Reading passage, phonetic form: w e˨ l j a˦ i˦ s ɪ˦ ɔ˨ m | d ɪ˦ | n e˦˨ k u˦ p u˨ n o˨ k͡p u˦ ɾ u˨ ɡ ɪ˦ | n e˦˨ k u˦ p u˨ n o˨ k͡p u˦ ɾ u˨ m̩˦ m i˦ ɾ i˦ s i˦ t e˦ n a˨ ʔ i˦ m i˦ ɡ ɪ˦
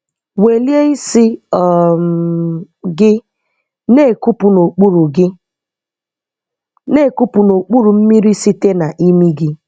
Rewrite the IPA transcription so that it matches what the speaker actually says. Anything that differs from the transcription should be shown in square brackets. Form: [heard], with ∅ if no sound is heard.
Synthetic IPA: w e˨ l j [e˦] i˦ s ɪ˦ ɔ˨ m | [ɡ] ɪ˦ | n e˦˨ k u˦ p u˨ n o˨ k͡p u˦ ɾ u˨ ɡ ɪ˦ | n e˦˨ k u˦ p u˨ n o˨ k͡p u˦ ɾ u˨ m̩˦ m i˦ ɾ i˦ s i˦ t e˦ n a˨ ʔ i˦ m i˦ ɡ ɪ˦